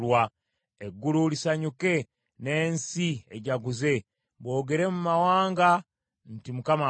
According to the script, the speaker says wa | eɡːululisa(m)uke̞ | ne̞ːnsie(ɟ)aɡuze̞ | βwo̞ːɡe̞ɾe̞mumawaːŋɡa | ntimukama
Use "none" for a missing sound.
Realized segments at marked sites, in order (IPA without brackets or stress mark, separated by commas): ɲ, ɟ